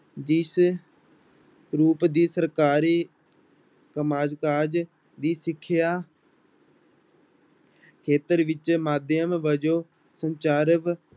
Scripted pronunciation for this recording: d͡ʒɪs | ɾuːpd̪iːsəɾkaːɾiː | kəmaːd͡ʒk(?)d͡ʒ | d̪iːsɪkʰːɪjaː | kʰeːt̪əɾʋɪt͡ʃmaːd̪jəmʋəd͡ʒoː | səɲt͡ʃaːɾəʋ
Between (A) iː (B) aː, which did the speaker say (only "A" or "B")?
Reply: B